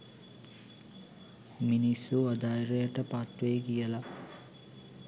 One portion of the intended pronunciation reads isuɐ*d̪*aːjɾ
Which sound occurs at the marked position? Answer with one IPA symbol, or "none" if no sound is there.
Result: d̪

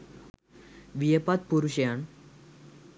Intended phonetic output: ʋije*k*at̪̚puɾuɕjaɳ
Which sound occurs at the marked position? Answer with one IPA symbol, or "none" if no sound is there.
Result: p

